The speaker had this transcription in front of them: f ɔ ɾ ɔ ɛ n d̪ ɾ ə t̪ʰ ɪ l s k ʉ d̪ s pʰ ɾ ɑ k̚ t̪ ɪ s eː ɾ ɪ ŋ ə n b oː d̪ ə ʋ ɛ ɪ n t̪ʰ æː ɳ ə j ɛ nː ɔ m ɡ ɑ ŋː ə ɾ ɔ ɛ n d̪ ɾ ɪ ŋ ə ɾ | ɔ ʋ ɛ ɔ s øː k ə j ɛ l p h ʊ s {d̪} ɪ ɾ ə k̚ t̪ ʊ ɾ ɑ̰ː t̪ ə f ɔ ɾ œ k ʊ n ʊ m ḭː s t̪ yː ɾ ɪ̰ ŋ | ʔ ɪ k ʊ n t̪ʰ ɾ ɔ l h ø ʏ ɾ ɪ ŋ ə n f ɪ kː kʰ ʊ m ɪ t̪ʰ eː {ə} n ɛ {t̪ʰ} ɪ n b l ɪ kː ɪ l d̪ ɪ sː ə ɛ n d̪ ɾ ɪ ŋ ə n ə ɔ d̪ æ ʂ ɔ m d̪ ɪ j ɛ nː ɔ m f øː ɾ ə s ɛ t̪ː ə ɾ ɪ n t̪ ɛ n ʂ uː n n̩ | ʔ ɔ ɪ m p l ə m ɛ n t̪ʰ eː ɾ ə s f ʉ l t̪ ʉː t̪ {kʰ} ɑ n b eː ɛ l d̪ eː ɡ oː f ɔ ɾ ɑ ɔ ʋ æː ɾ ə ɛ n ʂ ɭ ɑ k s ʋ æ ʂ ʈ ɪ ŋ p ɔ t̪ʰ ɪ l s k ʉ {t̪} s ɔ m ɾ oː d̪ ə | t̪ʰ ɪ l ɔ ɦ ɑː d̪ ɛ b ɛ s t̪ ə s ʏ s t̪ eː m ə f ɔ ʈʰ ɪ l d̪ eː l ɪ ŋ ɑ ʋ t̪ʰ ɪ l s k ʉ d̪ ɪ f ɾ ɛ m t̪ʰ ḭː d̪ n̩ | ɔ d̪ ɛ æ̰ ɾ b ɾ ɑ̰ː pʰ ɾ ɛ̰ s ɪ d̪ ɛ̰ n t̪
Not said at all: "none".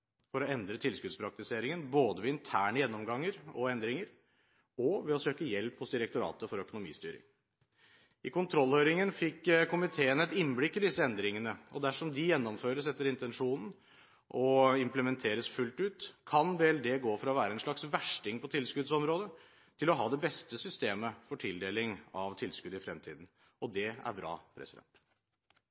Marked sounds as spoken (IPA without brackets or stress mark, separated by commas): d̪, ə, t̪, kʰ, d̪